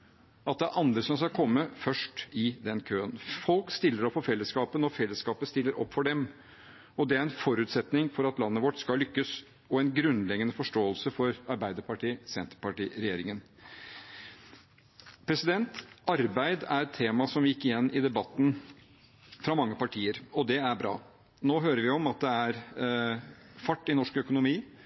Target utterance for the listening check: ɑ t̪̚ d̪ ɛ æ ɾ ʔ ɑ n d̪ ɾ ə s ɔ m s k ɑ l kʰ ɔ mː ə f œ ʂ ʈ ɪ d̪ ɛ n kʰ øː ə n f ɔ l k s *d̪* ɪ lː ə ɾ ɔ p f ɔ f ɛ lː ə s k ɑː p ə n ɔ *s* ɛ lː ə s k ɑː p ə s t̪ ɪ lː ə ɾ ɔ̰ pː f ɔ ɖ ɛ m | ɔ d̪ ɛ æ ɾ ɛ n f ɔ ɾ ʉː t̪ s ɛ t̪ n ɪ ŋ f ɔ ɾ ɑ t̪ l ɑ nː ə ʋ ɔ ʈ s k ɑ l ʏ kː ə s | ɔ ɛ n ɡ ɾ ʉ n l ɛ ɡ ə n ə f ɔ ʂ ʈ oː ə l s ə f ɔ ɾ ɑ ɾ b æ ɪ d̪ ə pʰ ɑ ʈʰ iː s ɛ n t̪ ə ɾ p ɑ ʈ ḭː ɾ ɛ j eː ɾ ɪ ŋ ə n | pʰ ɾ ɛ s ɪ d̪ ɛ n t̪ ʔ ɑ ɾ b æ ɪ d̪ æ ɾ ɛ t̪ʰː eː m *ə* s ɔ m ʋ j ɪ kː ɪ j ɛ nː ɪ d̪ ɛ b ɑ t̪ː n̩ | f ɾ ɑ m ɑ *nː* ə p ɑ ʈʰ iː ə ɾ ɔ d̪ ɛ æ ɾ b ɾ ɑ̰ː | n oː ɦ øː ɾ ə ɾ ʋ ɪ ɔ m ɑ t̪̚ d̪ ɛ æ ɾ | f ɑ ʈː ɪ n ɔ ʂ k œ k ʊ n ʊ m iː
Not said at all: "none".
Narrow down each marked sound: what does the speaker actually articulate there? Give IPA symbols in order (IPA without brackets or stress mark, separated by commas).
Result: t̪, f, ɑ, ŋː